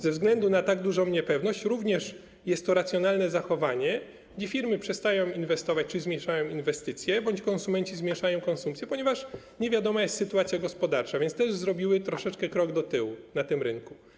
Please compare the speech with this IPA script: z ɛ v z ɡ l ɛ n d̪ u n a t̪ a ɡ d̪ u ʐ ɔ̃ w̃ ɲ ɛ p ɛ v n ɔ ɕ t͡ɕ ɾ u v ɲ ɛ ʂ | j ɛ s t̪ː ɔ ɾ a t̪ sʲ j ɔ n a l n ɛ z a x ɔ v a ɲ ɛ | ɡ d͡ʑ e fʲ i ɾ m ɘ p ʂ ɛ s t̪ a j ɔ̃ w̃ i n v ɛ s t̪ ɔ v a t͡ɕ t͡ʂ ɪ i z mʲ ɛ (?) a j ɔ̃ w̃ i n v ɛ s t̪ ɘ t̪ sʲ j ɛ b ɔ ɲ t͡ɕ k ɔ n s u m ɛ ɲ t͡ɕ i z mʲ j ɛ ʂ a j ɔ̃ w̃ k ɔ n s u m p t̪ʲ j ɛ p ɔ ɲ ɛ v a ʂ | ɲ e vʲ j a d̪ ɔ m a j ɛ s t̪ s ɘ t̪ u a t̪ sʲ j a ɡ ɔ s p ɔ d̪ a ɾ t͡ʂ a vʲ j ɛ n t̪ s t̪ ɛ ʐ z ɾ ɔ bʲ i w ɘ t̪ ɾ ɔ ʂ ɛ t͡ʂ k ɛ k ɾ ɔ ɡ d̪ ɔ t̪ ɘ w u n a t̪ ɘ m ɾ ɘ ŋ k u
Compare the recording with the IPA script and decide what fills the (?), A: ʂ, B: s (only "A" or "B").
A